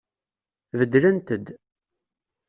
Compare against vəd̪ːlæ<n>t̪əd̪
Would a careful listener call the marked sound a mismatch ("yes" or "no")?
no